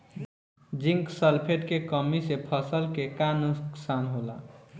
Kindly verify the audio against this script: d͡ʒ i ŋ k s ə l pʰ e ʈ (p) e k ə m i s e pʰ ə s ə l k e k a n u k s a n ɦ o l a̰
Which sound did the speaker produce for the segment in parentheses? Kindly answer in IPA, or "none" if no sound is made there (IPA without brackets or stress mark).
k